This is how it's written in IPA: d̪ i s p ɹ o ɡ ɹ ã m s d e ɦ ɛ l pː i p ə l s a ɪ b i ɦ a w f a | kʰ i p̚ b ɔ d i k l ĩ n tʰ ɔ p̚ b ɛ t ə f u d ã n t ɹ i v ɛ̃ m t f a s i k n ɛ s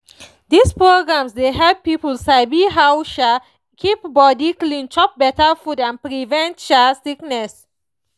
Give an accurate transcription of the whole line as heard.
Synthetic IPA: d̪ i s p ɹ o ɡ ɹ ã m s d e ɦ ɛ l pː i p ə l s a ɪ b i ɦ a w ʃ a | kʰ i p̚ b ɔ d i k l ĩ n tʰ ɔ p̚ b ɛ t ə f u d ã n p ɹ i v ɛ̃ n t ʃ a s i k n ɛ s